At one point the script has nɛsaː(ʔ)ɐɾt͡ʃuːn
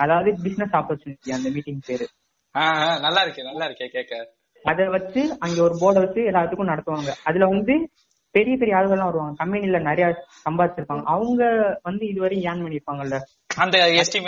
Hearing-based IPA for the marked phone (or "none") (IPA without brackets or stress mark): p